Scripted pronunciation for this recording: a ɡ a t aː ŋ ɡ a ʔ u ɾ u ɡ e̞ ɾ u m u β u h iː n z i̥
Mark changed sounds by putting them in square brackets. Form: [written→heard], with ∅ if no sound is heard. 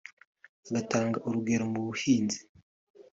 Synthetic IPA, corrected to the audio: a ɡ a t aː ŋ ɡ a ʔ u ɾ u ɡ e̞ ɾ [u→o] m u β u h iː n z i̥